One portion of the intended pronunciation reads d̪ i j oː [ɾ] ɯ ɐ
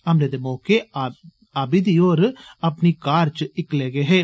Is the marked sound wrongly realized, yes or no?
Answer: no